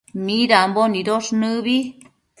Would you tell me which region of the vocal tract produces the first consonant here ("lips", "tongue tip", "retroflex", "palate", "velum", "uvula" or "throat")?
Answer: lips